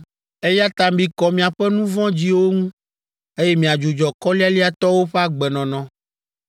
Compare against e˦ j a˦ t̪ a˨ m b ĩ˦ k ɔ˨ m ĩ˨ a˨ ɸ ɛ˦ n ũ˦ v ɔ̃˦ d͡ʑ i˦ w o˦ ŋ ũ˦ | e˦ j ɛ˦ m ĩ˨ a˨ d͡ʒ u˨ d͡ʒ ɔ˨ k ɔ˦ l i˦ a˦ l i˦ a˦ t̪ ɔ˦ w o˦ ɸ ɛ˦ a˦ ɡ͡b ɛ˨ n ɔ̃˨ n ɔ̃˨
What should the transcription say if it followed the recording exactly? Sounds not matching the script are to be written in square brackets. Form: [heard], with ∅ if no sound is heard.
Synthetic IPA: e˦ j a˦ t̪ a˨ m b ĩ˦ k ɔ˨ m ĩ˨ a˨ ɸ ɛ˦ n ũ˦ v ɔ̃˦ d͡ʑ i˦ w o˦ ŋ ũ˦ | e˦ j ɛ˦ m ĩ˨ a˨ d͡ʒ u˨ d͡ʒ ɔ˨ k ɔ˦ l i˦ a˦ l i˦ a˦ t̪ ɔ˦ w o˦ ɸ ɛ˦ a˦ ɡ͡b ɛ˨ n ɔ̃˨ n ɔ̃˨